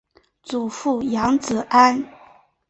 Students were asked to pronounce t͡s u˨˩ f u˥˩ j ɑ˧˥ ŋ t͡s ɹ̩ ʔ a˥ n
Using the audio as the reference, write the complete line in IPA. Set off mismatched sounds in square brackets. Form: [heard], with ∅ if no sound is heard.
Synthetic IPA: t͡s u˨˩ f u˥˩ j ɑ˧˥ ŋ t͡s ɹ̩ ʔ a˥ n